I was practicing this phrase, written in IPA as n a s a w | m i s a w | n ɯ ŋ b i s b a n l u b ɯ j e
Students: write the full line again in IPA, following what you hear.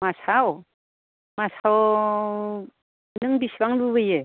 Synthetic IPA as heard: m a s a w | m a s a w | n ɯ ŋ b i s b a ŋ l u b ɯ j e